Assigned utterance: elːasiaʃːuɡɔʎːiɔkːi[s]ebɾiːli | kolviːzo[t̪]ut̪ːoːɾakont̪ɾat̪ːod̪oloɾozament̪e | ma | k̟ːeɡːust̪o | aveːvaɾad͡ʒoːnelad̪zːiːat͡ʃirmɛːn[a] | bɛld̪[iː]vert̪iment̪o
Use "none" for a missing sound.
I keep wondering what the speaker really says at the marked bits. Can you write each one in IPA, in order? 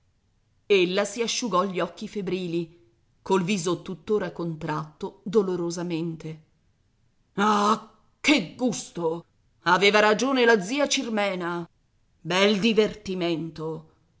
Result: f, t̪, a, i

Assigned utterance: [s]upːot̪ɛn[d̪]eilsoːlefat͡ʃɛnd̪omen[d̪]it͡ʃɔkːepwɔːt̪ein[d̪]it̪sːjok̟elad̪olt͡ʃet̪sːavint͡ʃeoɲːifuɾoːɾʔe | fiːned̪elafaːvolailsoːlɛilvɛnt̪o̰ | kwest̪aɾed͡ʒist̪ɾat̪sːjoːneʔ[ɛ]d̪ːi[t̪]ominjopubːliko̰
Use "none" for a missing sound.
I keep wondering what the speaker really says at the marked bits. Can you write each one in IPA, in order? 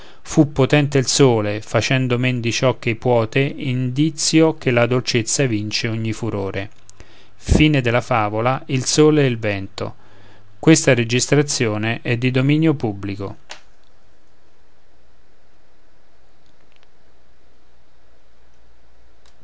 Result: f, t̪, d̪, d̪, ɛ, d̪

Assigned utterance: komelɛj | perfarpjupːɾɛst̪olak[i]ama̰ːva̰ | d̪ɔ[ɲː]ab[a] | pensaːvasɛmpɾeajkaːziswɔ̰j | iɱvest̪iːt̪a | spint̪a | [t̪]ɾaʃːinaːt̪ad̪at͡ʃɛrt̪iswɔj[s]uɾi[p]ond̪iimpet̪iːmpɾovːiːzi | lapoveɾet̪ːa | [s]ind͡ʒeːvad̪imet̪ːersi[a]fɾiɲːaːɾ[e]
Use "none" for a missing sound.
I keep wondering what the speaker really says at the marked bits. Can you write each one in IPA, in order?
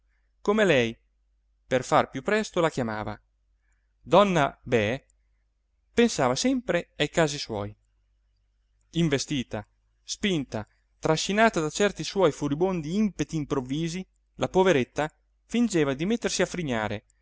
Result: j, nː, ɛ, t̪, f, b, f, a, e

